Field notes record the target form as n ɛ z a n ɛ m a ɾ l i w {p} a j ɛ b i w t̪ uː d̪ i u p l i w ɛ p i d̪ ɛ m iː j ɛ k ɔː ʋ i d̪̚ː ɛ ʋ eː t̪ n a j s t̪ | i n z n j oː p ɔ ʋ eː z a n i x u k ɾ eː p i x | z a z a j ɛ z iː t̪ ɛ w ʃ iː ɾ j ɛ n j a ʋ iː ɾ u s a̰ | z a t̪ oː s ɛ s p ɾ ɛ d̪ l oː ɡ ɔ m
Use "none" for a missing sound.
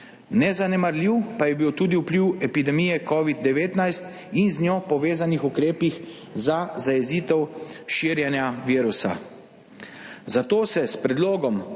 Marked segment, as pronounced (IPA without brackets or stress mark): p